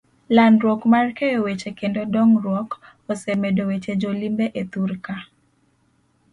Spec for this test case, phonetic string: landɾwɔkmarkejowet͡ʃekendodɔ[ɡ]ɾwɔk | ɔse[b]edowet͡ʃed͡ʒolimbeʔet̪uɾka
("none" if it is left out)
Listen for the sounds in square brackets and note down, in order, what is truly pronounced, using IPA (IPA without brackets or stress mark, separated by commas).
ŋ, m